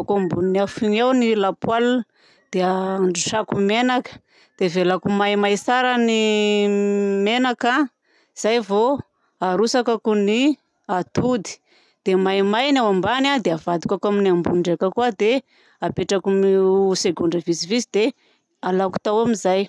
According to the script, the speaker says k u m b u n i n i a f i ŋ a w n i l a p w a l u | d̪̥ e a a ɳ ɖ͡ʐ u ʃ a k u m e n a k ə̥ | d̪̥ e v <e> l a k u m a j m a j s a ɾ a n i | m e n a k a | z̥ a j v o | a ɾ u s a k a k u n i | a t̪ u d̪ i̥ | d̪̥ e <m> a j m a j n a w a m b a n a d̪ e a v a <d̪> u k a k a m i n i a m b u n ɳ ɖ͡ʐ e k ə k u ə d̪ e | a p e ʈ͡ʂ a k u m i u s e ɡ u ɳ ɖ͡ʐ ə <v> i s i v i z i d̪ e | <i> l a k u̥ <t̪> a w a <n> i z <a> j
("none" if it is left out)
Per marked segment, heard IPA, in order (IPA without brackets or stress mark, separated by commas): e, m, d̪, v, a, t̪, m, a